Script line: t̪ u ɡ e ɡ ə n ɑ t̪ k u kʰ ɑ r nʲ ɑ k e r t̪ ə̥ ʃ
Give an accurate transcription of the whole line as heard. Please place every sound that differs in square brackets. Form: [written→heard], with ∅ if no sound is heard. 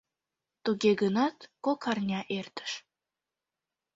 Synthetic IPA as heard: t̪ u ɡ e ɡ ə n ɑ t̪ k [u→o] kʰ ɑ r nʲ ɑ [k→ʔ] e r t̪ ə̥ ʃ